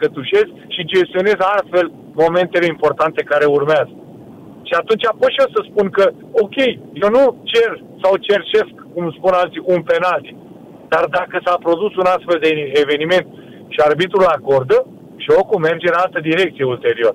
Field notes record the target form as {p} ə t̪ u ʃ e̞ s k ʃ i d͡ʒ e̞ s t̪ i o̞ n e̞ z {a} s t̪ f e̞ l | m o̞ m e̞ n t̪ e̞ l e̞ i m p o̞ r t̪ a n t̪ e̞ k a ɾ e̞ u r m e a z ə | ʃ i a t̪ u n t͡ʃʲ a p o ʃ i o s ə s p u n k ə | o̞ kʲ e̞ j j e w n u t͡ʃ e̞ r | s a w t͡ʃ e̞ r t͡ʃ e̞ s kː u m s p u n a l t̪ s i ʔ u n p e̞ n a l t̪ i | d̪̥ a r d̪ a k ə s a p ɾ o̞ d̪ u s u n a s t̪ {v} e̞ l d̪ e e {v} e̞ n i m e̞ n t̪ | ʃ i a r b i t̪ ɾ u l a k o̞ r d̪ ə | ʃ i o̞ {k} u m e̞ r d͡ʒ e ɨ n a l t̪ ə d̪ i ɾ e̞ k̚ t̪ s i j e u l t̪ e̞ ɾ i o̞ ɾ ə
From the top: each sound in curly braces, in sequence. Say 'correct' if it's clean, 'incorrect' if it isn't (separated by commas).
incorrect, correct, incorrect, correct, correct